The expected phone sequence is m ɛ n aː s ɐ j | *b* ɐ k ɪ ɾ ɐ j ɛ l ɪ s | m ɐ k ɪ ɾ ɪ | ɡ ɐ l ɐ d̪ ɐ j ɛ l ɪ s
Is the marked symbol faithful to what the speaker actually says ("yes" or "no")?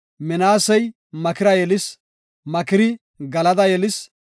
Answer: no